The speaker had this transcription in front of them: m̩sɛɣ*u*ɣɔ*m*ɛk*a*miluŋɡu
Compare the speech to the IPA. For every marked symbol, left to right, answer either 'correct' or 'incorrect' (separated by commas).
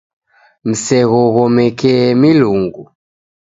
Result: incorrect, correct, incorrect